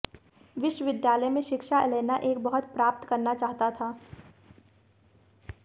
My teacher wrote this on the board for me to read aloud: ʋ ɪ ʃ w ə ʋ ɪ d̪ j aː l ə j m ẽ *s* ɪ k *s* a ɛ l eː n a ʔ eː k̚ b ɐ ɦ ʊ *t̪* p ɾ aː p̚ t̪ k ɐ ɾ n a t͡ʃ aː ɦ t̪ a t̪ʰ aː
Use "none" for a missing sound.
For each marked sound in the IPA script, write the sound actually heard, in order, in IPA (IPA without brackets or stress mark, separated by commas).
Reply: ʃ, ʃ, t̪